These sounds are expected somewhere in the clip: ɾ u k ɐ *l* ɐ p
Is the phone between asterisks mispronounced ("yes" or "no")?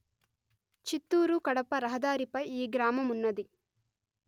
yes